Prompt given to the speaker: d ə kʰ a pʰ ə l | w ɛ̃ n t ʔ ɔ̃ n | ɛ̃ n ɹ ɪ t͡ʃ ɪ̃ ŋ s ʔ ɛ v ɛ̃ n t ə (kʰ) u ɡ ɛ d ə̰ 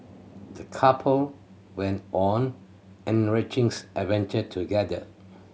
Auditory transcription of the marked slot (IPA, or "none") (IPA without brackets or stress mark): tʰ